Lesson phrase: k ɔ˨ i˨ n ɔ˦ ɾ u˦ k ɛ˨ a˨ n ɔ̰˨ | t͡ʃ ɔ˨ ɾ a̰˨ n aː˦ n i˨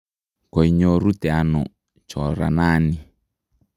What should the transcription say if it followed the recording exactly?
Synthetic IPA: k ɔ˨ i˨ ɲ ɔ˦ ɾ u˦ t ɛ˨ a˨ n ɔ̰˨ | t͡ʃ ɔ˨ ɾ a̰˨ n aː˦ n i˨